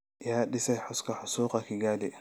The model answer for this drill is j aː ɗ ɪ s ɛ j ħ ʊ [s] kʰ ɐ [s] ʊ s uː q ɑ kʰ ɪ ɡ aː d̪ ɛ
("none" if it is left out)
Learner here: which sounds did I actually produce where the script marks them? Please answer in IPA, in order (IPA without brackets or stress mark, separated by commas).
s, ħ